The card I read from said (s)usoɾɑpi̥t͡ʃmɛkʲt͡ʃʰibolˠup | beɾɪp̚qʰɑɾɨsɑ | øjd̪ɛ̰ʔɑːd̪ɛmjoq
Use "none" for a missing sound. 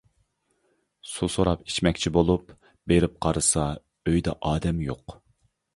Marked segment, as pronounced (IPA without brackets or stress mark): s